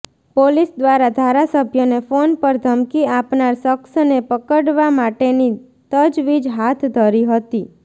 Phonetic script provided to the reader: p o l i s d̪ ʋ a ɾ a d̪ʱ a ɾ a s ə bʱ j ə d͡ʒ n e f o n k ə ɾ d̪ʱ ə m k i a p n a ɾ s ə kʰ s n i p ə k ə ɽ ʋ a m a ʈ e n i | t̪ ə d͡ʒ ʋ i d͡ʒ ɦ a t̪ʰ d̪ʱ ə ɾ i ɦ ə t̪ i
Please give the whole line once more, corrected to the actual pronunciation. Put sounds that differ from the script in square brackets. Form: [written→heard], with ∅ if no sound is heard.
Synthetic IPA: p o l i s d̪ ʋ a ɾ a d̪ʱ a ɾ a s ə bʱ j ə [d͡ʒ→∅] n e f o n [k→p] ə ɾ d̪ʱ ə m k i a p n a ɾ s ə [kʰ→k] s n [i→e] p ə k ə ɽ ʋ a m a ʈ e n i | t̪ ə d͡ʒ ʋ i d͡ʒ ɦ a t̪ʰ d̪ʱ ə ɾ i ɦ ə t̪ i